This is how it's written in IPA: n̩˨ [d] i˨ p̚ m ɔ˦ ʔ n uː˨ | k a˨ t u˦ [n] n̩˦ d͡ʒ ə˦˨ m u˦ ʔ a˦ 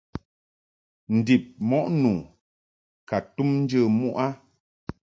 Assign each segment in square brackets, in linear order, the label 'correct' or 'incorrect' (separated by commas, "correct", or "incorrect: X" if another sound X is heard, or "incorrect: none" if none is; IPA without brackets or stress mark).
correct, incorrect: m